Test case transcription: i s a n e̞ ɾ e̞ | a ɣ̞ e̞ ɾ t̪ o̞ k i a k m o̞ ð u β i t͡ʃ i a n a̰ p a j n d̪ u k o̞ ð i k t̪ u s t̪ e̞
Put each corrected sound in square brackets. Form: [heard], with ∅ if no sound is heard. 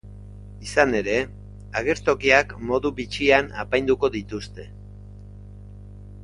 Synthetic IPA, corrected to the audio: i s a n e̞ ɾ e̞ | a ɣ̞ e̞ ɾ t̪ o̞ k i a k m o̞ ð u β i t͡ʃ i a n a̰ p a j n d̪ u k o̞ ð i [∅] t̪ u s t̪ e̞